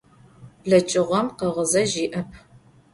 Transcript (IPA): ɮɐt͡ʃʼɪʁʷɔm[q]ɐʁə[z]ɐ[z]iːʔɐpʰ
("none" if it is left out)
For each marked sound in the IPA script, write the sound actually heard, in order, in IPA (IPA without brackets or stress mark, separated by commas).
q, z, ʒ